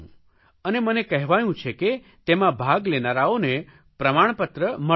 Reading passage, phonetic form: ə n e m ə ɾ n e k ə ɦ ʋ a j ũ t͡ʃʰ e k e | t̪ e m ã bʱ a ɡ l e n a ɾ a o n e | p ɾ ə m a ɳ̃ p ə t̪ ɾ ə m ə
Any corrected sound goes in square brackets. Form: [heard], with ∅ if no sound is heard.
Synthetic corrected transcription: ə n e m ə [∅] n e k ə ɦ ʋ a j ũ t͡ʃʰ e k e | t̪ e m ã bʱ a ɡ l e n a ɾ a o n e | p ɾ ə m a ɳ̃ p ə t̪ ɾ ə m ə